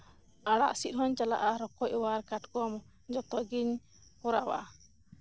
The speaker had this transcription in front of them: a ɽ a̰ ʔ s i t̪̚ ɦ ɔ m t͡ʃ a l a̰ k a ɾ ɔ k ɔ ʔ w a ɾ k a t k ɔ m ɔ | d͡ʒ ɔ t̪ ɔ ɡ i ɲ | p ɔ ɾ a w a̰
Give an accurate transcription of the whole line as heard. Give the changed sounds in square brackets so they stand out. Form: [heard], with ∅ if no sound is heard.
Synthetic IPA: a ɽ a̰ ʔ s i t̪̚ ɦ ɔ [ɲ] t͡ʃ a l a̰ [ʔ] a ɾ ɔ k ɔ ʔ w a ɾ k a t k ɔ m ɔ | d͡ʒ ɔ t̪ ɔ ɡ i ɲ | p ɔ ɾ a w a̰